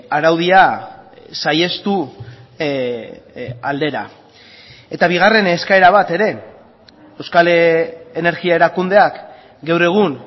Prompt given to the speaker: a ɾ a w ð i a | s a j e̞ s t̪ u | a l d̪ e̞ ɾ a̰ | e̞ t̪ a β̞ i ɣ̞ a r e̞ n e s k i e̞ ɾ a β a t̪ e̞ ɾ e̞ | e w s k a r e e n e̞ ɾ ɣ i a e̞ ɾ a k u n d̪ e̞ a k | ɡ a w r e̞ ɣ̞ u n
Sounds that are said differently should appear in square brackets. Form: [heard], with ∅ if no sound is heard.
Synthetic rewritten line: a ɾ a w ð i a | s a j e̞ s t̪ u | a l d̪ e̞ ɾ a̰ | e̞ t̪ a β̞ i ɣ̞ a r e̞ n e s k [a] e̞ ɾ a β a t̪ e̞ ɾ e̞ | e w s k a [l] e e n e̞ ɾ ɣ i a e̞ ɾ a k u n d̪ e̞ a k | ɡ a w r e̞ ɣ̞ u n